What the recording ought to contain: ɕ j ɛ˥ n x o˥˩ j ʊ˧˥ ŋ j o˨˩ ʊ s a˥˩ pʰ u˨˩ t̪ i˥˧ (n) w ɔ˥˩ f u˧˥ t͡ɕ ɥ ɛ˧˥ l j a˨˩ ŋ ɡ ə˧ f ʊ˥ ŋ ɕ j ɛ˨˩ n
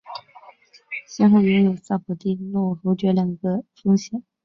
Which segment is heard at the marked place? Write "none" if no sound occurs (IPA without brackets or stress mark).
n